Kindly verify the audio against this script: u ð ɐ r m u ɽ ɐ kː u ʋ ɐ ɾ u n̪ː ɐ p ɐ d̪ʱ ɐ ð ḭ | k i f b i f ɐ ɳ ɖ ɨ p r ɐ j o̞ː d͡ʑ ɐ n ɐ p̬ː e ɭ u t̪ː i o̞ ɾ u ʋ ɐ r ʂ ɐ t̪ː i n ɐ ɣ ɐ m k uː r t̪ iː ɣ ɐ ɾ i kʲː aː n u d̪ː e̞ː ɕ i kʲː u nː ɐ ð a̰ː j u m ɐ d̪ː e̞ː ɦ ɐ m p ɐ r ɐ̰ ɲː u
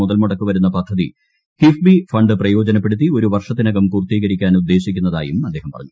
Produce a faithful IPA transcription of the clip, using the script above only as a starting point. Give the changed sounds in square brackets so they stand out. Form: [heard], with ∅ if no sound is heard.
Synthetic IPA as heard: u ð ɐ [l] m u ɽ ɐ kː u ʋ ɐ ɾ u n̪ː ɐ p ɐ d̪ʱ ɐ ð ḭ | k i f b i f ɐ ɳ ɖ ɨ p r ɐ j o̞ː d͡ʑ ɐ n ɐ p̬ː e [ɽ] u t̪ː i o̞ ɾ u ʋ ɐ r ʂ ɐ t̪ː i n ɐ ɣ ɐ m k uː r t̪ iː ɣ ɐ ɾ i kʲː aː n u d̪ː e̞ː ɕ i kʲː u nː ɐ ð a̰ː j u m ɐ d̪ː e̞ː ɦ ɐ m p ɐ r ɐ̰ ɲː u

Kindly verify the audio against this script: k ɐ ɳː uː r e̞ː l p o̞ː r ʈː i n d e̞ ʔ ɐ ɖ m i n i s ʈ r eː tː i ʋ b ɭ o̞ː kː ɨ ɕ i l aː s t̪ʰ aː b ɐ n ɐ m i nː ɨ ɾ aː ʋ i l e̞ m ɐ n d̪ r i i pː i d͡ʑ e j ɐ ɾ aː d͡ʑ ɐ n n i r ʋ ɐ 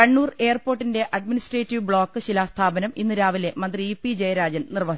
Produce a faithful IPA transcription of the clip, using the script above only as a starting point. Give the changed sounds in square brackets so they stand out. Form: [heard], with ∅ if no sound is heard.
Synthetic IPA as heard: k ɐ ɳː uː r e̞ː [r] p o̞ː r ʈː i n d e̞ ʔ ɐ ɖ m i n i s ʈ r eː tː i ʋ b ɭ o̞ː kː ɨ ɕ i l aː s t̪ʰ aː b ɐ n ɐ m i nː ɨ ɾ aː ʋ i l e̞ m ɐ n d̪ r i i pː i d͡ʑ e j ɐ ɾ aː d͡ʑ ɐ n n i r ʋ ɐ

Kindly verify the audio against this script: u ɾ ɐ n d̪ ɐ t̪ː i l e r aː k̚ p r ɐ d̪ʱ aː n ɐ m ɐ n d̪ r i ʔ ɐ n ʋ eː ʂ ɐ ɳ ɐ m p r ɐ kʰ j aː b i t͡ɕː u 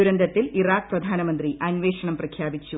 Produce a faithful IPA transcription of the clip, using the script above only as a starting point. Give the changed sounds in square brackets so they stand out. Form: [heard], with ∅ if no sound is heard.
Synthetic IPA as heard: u ɾ ɐ n d̪ ɐ t̪ː i l [i] r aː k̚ p r ɐ d̪ʱ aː n ɐ m ɐ n d̪ r i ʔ ɐ n ʋ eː ʂ ɐ ɳ ɐ m p r ɐ kʰ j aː b i t͡ɕː u

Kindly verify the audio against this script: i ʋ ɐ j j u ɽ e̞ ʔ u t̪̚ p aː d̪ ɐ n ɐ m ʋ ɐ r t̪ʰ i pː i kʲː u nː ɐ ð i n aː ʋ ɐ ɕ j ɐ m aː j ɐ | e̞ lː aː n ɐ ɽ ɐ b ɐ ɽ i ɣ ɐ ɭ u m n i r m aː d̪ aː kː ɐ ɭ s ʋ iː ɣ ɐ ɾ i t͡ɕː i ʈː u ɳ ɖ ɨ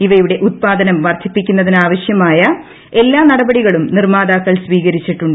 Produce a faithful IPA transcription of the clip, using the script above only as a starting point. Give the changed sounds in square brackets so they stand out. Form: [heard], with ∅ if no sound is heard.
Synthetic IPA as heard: i ʋ ɐ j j u ɽ e̞ ʔ u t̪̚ p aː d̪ ɐ n ɐ m ʋ ɐ r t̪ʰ i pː i kʲː u nː ɐ ð i n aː ʋ ɐ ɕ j ɐ m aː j ɐ | e̞ lː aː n ɐ ɽ ɐ b ɐ ɽ i ɣ ɐ ɭ u m n i r m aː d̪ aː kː ɐ ɭ s ʋ iː ɣ ɐ ɾ i t͡ɕː i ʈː u ɳ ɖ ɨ

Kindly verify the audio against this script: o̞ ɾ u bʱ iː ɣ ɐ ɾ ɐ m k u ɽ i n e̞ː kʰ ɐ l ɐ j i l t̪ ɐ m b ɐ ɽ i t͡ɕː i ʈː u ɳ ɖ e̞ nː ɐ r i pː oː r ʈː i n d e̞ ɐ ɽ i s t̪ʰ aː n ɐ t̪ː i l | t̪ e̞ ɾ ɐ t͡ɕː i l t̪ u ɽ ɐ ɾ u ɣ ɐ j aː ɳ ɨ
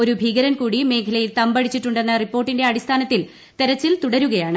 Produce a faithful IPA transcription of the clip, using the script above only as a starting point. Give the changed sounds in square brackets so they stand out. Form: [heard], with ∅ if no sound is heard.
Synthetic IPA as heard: o̞ ɾ u bʱ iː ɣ ɐ ɾ ɐ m k [uː] ɽ i [m] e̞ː kʰ ɐ l ɐ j i l t̪ ɐ m b ɐ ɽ i t͡ɕː i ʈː u ɳ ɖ e̞ nː ɐ r i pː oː r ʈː i n d e̞ ɐ ɽ i s t̪ʰ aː n ɐ t̪ː i l | t̪ e̞ ɾ ɐ t͡ɕː i l t̪ u ɽ ɐ ɾ u ɣ ɐ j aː ɳ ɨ

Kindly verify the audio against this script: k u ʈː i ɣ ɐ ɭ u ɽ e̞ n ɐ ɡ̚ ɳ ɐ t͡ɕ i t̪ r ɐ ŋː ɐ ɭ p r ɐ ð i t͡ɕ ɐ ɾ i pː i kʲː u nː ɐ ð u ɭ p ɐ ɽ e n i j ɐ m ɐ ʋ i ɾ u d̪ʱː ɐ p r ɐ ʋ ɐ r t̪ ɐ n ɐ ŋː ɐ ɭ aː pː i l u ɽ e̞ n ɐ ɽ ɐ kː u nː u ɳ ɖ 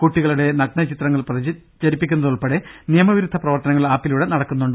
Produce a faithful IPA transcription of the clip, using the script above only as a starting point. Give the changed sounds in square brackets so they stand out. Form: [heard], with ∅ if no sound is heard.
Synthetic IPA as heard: k u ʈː i ɣ ɐ ɭ u ɽ e̞ n ɐ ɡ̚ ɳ ɐ t͡ɕ i t̪ r ɐ ŋː ɐ ɭ p r ɐ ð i t͡ɕ ɐ ɾ i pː i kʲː u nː ɐ ð u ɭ p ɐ ɽ e n i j ɐ m ɐ ʋ i ɾ u d̪ʱː ɐ p r ɐ ʋ ɐ r t̪ ɐ n ɐ ŋː ɐ ɭ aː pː i l u ɽ e̞ n ɐ ɽ ɐ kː u nː u ɳ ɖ

